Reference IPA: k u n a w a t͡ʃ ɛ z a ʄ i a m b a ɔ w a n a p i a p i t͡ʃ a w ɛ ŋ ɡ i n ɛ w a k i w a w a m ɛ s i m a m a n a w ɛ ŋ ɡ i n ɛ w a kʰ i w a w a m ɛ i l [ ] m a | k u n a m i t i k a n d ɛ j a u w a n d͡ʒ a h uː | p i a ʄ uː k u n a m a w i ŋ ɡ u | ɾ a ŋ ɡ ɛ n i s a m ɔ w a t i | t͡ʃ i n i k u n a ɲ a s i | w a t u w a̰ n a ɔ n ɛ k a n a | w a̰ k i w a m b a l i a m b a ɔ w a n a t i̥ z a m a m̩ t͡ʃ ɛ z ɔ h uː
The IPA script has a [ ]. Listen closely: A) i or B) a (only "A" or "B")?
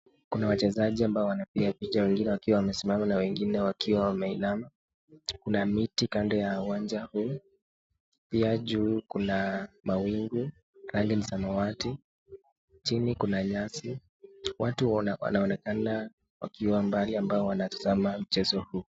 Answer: B